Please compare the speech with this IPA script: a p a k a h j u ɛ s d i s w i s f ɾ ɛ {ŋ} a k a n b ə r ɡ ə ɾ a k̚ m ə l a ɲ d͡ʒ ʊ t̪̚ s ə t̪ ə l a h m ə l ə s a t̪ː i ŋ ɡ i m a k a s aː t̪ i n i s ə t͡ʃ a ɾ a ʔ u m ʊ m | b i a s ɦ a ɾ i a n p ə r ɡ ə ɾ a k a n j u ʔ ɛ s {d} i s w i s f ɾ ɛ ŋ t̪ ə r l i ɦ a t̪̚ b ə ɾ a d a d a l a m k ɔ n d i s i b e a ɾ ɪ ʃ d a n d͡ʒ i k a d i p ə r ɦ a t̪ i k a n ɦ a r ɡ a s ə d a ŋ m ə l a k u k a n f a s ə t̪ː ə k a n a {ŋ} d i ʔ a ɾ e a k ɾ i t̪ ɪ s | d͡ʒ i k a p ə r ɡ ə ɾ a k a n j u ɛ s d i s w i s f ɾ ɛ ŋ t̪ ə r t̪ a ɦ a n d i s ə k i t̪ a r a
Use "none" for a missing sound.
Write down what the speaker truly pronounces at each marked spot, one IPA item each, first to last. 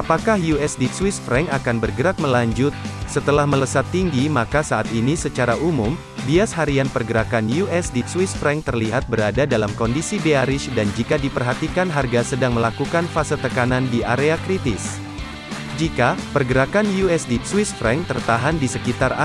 ŋ, d, n

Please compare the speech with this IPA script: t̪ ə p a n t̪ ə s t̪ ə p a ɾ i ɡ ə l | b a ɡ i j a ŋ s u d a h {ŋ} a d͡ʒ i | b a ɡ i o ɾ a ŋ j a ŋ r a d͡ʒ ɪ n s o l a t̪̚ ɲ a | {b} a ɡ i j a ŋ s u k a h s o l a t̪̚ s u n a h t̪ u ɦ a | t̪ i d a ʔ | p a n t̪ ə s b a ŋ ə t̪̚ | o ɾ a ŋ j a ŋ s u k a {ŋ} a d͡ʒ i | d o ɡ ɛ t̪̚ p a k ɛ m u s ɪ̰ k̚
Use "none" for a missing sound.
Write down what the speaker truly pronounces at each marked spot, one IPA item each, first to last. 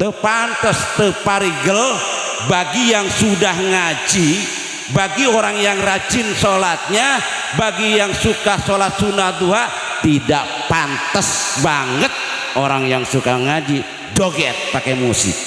ŋ, b, ŋ

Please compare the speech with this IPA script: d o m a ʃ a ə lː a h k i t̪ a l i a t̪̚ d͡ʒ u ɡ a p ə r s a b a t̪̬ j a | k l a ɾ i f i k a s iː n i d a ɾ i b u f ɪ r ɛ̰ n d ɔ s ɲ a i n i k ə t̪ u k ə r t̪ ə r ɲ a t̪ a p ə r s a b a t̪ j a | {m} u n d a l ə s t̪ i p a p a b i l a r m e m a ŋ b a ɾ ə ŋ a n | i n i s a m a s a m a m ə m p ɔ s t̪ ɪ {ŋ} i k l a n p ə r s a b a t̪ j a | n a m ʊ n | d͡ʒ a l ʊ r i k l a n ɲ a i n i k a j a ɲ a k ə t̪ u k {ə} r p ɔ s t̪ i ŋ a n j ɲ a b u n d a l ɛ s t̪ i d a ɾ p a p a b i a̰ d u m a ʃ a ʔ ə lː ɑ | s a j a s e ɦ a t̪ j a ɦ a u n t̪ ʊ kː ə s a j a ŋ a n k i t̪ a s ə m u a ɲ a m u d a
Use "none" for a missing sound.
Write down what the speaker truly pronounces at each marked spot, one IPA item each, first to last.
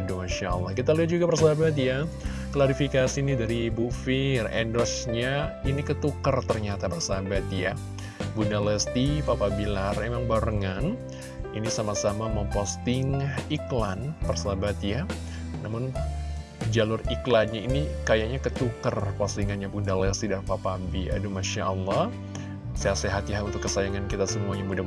b, ŋ, ə

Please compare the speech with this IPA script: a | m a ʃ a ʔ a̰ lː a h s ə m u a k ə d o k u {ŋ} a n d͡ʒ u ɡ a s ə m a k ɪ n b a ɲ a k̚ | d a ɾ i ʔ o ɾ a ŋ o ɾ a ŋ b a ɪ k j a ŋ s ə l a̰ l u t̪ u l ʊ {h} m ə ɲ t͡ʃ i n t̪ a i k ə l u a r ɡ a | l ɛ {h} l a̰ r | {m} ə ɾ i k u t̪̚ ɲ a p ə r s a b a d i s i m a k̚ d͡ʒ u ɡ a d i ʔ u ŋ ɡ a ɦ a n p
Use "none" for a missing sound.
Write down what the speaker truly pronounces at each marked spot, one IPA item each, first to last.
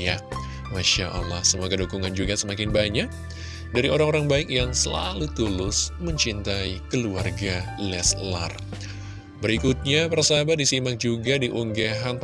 ŋ, s, s, b

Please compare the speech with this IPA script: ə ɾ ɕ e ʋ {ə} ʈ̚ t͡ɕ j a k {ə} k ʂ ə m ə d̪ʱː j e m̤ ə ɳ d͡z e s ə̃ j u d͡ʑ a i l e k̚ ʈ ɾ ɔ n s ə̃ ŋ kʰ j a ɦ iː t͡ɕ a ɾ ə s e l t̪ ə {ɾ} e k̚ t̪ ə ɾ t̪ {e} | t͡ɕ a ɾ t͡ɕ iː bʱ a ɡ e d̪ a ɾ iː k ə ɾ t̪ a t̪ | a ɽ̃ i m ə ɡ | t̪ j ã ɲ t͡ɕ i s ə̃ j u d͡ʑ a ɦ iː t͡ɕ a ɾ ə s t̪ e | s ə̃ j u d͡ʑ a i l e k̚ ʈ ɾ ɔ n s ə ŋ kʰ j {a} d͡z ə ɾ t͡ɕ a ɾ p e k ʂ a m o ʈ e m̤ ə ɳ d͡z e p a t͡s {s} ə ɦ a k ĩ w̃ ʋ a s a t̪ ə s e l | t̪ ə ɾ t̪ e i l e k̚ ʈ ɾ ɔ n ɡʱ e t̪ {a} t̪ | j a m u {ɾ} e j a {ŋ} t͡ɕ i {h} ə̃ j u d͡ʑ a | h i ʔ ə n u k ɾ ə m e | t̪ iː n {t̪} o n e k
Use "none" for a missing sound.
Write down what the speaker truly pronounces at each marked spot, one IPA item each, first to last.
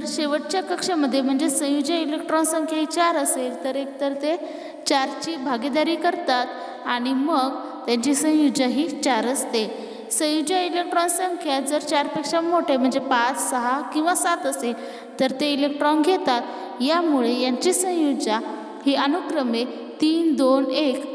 ə, ə, ɾ, e, a, s, a, ɭ, ɲ, s, d̪

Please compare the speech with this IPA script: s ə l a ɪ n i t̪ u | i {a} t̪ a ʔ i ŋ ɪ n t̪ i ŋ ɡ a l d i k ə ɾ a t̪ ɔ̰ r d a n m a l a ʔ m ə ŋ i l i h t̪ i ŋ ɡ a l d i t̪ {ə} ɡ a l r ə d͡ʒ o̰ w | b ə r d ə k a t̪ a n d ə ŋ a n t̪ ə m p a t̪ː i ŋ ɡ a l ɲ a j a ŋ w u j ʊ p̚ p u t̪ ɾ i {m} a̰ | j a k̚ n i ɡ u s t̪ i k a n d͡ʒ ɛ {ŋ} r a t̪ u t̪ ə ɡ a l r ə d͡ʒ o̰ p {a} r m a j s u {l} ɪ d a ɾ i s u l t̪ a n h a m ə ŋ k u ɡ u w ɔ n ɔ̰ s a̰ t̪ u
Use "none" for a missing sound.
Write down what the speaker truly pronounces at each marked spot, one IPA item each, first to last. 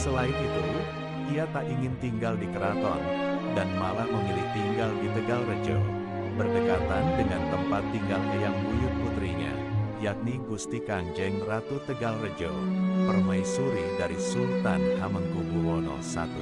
a, ə, ɲ, ŋ, ə, ɾ

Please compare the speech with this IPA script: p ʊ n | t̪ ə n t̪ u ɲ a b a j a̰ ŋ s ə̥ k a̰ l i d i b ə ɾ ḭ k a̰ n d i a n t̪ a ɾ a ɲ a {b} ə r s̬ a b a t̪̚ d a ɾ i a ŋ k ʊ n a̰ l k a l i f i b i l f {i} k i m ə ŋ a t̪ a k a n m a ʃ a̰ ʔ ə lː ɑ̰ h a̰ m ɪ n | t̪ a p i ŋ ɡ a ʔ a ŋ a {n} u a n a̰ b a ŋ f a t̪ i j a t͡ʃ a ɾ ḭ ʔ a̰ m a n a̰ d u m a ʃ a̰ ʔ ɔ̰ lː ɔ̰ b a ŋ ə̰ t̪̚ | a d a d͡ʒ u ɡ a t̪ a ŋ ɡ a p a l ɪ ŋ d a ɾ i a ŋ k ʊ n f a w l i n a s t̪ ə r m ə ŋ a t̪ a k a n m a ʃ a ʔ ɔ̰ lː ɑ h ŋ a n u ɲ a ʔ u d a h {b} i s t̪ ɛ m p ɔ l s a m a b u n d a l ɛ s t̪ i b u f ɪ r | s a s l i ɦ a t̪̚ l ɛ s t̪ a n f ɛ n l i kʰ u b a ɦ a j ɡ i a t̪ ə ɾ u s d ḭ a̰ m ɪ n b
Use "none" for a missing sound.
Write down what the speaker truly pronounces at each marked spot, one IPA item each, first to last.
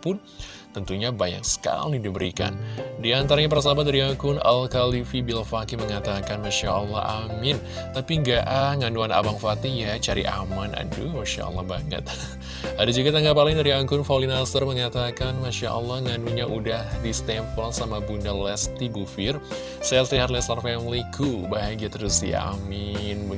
p, a, n, d

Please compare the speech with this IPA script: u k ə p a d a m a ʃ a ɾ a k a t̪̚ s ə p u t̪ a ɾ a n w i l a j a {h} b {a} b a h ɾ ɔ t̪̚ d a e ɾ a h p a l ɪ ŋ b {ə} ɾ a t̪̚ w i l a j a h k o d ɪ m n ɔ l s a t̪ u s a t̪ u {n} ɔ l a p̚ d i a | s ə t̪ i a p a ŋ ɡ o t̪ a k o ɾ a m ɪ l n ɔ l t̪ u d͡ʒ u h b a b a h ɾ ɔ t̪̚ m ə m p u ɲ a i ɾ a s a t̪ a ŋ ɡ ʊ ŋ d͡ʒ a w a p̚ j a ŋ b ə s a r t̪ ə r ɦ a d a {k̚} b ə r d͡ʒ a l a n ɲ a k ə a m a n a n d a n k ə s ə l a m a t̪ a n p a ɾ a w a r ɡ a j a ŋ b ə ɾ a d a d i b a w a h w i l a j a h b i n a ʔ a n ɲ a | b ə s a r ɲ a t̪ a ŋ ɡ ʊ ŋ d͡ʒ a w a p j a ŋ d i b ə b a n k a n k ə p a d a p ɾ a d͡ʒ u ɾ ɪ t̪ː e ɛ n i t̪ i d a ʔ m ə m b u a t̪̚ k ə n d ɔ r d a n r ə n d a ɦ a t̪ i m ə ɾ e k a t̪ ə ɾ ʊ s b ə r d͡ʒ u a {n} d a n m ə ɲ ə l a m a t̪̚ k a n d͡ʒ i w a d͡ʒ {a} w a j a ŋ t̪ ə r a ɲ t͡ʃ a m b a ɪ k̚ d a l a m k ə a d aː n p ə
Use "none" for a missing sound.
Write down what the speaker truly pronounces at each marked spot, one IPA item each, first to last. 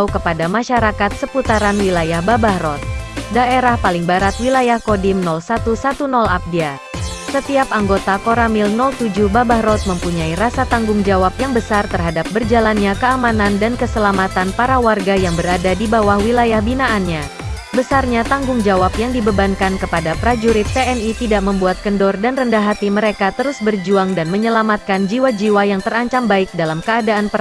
h, a, a, n, p̚, ŋ, i

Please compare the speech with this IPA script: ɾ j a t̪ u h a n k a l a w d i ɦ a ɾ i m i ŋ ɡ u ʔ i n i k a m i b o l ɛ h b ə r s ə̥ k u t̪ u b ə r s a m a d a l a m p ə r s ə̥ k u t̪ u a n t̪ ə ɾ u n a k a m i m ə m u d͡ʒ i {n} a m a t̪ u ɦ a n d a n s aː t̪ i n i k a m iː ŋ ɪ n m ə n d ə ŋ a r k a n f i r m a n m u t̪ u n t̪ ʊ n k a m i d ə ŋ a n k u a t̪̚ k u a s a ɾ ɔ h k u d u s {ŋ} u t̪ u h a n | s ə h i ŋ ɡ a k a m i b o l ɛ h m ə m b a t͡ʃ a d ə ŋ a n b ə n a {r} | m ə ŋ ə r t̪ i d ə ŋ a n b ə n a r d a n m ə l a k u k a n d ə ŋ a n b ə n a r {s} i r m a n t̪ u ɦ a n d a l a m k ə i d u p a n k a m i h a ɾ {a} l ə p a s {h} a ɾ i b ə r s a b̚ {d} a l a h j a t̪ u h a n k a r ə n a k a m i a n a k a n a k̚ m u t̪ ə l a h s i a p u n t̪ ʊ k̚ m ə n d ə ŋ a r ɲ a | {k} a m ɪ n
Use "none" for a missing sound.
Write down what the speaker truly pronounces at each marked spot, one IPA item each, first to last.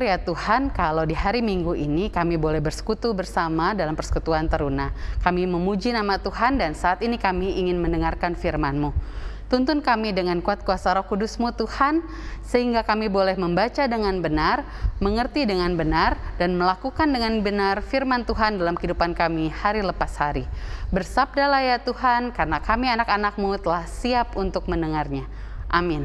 n, m, r, f, i, h, d, ʔ

